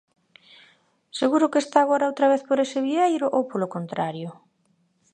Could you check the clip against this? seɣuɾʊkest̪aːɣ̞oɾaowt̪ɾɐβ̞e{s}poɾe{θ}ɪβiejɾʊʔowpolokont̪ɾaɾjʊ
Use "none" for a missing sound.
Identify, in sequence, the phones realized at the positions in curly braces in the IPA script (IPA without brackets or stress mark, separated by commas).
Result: θ, s